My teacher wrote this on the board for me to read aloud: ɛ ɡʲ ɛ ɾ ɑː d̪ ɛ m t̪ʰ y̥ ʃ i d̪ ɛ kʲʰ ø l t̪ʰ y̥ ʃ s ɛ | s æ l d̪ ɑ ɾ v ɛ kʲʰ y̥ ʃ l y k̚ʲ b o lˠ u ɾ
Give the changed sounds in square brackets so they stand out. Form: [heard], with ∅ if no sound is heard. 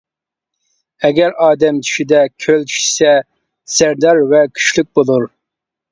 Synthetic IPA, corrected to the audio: ɛ ɡʲ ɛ ɾ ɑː d̪ ɛ m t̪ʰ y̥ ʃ i d̪ ɛ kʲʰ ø l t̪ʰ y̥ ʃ s ɛ | s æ [ɾ] d̪ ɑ ɾ v ɛ kʲʰ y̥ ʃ l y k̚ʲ b o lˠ u ɾ